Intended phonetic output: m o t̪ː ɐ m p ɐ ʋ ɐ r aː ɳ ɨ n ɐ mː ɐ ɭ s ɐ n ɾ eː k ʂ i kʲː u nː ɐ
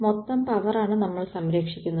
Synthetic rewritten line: m o t̪ː ɐ m p ɐ ʋ ɐ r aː ɳ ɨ n ɐ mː ɐ ɭ s ɐ m ɾ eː k ʂ i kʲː u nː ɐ